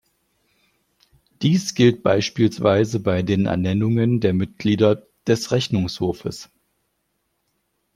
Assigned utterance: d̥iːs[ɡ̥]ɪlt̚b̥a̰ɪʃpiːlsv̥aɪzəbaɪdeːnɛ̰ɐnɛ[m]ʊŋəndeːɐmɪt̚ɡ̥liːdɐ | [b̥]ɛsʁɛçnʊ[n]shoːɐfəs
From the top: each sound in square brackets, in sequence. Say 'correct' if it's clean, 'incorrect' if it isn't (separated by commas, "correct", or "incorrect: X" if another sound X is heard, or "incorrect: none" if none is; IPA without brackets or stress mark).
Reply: correct, incorrect: n, incorrect: d̥, incorrect: ŋ